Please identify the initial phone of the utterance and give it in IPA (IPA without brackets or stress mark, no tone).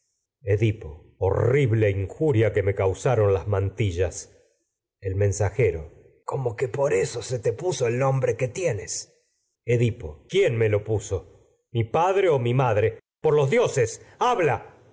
e